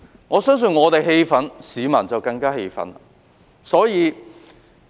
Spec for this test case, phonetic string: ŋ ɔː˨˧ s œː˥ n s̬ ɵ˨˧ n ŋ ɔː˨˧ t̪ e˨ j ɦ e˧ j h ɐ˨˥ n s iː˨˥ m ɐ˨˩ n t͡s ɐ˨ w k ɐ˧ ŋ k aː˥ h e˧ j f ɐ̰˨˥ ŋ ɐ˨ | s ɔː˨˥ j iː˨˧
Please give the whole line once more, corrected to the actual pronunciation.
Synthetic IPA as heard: ŋ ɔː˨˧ s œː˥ ŋ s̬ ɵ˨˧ n ŋ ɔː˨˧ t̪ e˨ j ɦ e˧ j f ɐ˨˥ n s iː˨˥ m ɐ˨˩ n t͡s ɐ˨ w k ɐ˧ ŋ k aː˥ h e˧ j f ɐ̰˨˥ n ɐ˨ | s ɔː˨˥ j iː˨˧

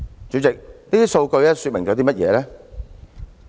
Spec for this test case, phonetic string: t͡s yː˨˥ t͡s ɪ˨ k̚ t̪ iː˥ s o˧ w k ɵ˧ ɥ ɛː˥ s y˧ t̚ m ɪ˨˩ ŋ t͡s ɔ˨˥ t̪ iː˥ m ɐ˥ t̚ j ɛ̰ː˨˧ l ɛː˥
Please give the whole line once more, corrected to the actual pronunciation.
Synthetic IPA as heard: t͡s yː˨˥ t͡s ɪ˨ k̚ t̪ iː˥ s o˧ w k ɵ˧ ɥ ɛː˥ s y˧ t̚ m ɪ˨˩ ŋ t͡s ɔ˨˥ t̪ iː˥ m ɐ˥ t̚ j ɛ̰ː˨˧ l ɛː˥

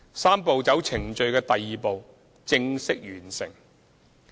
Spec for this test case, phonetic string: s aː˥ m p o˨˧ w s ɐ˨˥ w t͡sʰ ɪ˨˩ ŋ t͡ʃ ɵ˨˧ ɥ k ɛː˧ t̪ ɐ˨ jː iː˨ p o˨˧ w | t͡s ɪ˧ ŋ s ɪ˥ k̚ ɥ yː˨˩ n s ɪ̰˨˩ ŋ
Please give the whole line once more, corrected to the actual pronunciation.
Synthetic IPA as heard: s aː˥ m p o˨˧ w t͡s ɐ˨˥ w t͡sʰ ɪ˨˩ ŋ t͡ʃ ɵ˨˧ ɥ k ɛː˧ t̪ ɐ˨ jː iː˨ p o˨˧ w | t͡s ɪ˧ ŋ s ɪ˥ k̚ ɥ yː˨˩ n s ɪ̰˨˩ ŋ

